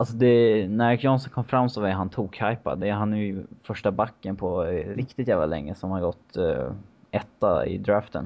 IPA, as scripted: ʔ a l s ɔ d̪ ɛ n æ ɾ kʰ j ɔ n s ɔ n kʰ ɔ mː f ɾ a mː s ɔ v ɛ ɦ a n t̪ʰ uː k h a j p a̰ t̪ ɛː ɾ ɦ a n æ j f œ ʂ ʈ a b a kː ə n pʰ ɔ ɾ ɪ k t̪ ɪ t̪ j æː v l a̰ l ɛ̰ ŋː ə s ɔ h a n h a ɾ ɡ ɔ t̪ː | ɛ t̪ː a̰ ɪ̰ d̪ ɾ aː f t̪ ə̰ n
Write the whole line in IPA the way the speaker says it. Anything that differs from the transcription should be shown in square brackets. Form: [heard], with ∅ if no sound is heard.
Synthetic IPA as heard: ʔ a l s ɔ d̪ ɛ n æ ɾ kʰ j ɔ n s ɔ n kʰ ɔ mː f ɾ a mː s ɔ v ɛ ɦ a n t̪ʰ uː k h a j p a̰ [d̪] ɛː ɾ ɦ a n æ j f œ ʂ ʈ a b a kː ə n pʰ ɔ ɾ ɪ k t̪ ɪ t̪ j æː v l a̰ l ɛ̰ ŋː ə s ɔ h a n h a ɾ ɡ ɔ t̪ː | ɛ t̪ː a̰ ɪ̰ d̪ ɾ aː f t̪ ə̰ n